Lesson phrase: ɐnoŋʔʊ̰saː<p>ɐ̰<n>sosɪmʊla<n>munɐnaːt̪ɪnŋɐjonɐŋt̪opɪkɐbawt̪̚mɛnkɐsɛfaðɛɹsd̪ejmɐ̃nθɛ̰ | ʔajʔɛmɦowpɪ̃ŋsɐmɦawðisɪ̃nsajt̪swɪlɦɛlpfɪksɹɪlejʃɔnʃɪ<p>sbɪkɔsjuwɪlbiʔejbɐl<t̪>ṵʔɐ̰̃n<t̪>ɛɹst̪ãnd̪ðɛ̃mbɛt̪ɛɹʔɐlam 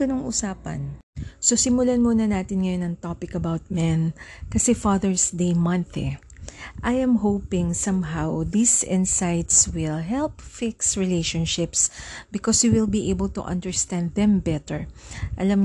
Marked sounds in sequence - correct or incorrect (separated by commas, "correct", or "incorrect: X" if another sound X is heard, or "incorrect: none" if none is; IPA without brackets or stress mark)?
correct, correct, correct, correct, correct, incorrect: d̪